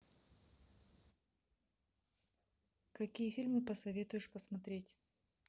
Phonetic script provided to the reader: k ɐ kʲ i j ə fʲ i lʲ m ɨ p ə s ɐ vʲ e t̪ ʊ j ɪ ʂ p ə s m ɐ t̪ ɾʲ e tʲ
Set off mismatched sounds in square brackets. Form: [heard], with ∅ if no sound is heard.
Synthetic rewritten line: k ɐ kʲ i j ə fʲ i lʲ m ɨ p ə s ɐ vʲ e t̪ ʊ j ɪ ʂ p ə s m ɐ t̪ ɾʲ e tʲ